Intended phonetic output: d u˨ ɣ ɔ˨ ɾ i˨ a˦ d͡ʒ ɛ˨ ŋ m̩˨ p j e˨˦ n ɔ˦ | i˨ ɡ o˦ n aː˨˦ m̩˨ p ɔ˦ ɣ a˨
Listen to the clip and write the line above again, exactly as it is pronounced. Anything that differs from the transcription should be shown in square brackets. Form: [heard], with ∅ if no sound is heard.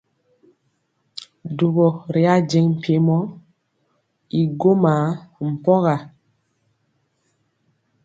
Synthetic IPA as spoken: d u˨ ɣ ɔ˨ ɾ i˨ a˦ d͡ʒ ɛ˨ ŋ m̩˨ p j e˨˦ [m] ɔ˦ | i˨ ɡ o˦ [m] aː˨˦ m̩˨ p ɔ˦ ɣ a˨